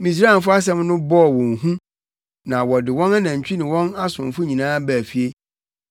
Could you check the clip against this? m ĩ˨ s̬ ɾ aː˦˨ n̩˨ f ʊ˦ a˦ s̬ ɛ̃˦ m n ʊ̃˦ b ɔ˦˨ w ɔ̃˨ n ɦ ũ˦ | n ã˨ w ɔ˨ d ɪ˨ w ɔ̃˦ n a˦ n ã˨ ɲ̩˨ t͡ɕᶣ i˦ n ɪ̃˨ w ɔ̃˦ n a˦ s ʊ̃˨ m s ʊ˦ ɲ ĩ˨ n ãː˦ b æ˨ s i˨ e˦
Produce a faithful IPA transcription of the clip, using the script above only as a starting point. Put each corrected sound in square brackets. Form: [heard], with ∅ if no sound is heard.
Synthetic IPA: m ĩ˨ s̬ ɾ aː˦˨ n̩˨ f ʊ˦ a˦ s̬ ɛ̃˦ m n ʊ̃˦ b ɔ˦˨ w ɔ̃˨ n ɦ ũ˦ | n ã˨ w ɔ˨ d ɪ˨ w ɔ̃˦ n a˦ n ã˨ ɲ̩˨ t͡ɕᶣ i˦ n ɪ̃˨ w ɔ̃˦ n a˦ s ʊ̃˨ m [f] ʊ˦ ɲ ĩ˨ n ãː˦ b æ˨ [f] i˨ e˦